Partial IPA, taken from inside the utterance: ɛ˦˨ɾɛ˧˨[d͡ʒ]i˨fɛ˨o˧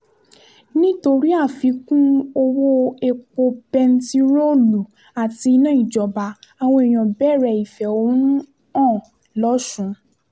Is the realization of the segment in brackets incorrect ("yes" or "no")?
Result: yes